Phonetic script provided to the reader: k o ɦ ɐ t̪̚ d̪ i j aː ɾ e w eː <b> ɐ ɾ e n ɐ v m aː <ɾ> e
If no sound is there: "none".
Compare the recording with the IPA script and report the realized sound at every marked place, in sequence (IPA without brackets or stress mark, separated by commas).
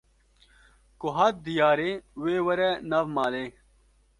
w, l